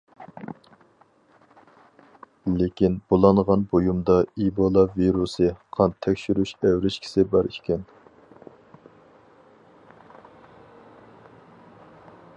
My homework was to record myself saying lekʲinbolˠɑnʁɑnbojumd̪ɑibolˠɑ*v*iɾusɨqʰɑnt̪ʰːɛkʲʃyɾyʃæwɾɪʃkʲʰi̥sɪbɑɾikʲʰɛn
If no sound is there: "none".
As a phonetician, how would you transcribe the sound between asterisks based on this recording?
v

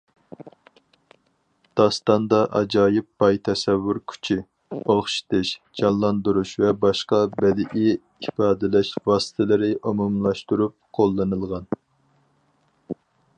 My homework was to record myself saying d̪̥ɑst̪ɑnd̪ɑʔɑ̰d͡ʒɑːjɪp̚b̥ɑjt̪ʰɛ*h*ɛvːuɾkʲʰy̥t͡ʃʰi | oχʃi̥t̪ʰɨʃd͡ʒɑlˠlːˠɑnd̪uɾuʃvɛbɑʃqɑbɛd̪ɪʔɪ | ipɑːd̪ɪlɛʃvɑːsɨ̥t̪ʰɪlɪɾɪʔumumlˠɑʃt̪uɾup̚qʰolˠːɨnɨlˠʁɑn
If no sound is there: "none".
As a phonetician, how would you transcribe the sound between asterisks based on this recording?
s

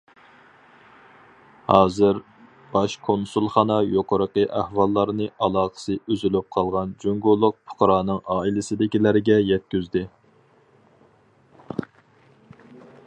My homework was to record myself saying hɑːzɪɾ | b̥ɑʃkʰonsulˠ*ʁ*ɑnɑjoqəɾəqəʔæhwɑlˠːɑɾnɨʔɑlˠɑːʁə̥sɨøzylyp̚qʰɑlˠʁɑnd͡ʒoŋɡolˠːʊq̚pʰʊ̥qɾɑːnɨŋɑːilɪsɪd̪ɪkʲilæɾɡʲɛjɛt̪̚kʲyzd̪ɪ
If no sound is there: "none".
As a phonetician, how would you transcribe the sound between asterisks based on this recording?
χ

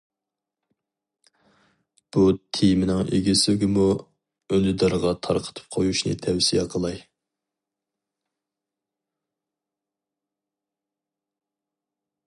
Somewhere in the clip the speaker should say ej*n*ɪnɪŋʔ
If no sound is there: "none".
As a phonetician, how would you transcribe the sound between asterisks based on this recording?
m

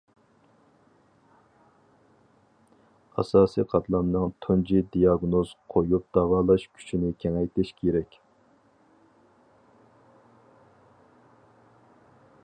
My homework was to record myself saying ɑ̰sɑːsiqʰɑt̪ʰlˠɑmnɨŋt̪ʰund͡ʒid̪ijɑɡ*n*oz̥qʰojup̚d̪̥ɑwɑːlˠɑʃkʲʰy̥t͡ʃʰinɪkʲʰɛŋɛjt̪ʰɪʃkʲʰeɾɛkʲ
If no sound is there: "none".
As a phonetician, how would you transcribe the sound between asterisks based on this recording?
n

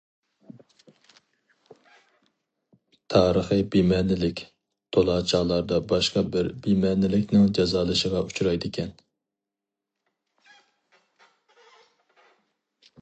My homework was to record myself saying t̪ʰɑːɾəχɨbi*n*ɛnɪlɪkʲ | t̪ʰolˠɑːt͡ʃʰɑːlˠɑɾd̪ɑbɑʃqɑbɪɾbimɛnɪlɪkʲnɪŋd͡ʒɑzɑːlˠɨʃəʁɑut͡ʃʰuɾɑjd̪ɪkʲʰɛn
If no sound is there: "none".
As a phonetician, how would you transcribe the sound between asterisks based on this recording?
m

